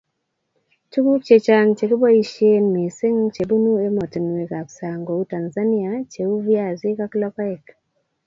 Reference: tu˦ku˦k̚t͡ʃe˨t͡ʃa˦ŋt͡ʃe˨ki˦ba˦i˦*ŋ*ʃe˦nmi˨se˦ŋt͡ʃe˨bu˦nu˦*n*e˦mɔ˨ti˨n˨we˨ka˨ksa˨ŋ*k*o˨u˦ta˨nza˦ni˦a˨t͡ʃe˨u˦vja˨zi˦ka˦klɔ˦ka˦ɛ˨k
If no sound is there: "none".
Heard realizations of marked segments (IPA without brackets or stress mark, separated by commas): none, none, ɡ